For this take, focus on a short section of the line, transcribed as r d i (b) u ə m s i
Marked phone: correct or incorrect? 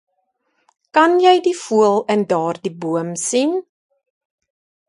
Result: correct